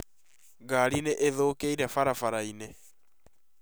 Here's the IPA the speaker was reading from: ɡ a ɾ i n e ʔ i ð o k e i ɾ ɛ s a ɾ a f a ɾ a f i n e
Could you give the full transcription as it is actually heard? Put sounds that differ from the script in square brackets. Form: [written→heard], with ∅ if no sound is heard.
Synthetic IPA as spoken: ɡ a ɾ i n e ʔ [i→e] ð o k e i ɾ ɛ [s→f] a ɾ a f a ɾ a [f→∅] i n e